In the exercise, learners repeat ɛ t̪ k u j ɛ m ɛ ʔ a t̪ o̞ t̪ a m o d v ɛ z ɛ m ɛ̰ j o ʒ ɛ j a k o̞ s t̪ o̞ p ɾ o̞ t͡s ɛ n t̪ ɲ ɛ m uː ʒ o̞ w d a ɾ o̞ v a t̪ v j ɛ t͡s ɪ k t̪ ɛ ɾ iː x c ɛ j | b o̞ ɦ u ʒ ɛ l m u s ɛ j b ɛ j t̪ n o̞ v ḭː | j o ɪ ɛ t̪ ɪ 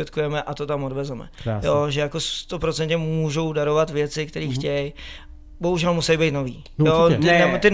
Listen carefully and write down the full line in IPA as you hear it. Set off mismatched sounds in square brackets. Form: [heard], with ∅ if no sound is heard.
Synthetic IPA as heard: ɛ t̪ k u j ɛ m ɛ ʔ a t̪ o̞ t̪ a m o d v ɛ z ɛ m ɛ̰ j o ʒ ɛ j a k o̞ s t̪ o̞ p ɾ o̞ t͡s ɛ n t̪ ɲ ɛ m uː ʒ o̞ w d a ɾ o̞ v a t̪ v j ɛ t͡s ɪ k t̪ ɛ ɾ iː x c ɛ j | b o̞ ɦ u ʒ ɛ l m u s ɛ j b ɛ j t̪ n o̞ v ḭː | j o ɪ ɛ t̪ ɪ